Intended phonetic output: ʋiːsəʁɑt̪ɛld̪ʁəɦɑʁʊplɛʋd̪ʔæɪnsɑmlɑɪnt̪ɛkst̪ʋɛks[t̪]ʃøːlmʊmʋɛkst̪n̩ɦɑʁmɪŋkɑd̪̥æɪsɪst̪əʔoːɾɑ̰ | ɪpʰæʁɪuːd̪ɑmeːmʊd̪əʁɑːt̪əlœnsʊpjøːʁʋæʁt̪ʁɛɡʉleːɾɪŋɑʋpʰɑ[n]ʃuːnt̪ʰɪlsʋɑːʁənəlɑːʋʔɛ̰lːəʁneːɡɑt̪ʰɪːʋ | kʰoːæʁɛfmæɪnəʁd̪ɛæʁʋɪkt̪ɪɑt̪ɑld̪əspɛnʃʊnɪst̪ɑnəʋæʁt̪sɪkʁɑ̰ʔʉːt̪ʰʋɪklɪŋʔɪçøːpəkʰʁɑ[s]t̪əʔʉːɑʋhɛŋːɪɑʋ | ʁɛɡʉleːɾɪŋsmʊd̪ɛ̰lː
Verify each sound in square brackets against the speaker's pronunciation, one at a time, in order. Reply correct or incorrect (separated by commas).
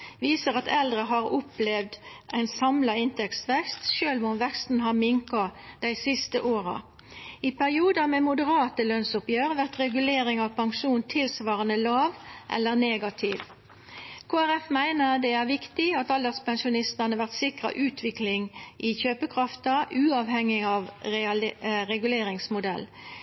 correct, incorrect, incorrect